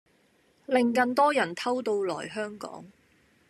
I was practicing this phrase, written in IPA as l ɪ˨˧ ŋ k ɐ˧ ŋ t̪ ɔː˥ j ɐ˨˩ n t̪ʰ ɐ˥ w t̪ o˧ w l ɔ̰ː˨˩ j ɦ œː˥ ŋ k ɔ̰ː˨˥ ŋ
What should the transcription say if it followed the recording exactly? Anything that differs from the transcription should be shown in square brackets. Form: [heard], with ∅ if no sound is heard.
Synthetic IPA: l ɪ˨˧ ŋ k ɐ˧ [n] t̪ ɔː˥ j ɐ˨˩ n t̪ʰ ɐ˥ w t̪ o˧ w l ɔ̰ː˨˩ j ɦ œː˥ ŋ k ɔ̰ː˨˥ ŋ